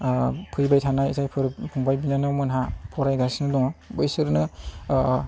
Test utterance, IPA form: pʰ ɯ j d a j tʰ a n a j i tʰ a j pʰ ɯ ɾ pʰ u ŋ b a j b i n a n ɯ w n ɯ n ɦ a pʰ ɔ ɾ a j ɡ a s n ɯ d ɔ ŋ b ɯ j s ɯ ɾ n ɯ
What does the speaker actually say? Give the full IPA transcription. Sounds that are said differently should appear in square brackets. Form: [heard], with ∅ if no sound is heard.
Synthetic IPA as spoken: pʰ ɯ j [b] a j tʰ a n a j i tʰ a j pʰ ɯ ɾ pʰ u ŋ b a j b i n a n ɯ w [m] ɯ n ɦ a pʰ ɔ ɾ a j ɡ a s n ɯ d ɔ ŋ b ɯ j s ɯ ɾ n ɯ